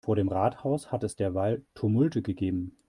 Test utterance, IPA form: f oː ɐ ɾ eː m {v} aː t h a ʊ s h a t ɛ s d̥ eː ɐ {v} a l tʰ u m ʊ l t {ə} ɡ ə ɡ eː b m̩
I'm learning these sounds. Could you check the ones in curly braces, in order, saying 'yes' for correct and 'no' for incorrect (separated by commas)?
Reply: no, yes, yes